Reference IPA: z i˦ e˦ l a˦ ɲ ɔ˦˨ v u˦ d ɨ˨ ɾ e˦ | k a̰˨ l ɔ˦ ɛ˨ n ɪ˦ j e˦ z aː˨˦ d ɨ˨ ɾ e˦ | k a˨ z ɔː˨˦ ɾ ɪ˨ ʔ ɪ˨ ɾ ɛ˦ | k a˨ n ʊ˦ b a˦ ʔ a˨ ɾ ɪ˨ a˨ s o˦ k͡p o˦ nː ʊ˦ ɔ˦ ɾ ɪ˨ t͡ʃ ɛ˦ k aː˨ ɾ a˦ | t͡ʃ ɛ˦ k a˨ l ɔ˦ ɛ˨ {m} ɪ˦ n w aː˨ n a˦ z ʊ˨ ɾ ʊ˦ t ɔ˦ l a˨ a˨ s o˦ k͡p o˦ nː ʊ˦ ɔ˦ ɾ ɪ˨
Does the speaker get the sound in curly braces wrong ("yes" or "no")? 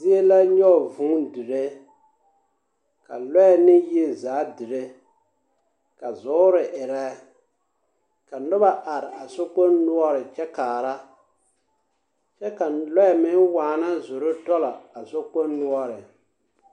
no